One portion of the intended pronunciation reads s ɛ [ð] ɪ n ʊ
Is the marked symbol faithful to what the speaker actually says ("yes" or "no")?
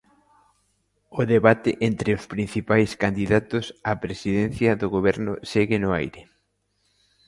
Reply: no